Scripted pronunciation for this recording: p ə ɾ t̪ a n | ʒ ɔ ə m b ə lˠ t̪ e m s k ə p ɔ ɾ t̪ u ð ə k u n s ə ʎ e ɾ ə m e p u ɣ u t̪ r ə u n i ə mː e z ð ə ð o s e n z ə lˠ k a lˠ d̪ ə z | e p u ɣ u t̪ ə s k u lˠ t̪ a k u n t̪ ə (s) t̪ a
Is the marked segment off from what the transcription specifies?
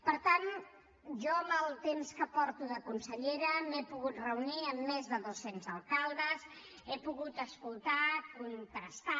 no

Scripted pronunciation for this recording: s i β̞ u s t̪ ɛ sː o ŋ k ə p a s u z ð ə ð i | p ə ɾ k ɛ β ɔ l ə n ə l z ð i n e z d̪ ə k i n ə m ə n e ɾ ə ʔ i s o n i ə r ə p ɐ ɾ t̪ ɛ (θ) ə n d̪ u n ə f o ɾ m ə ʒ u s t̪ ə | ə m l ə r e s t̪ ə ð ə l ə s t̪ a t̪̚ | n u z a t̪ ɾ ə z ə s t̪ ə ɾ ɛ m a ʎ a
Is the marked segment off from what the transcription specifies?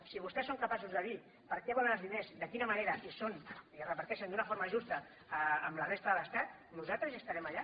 yes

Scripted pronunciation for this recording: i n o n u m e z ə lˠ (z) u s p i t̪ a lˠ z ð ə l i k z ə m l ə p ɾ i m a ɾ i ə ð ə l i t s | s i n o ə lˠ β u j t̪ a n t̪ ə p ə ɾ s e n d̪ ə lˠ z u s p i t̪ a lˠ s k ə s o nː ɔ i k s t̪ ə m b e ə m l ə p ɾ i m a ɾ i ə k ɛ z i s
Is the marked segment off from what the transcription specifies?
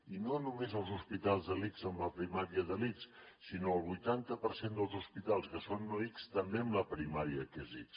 no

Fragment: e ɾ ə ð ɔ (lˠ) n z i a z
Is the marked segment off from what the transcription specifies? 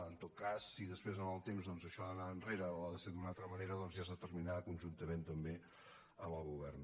yes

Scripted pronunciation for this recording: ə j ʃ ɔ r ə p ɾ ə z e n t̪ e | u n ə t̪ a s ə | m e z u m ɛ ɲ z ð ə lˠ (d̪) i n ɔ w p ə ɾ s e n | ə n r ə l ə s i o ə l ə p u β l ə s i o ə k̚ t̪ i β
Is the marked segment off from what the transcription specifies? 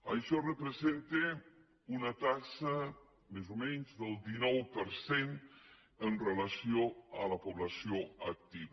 no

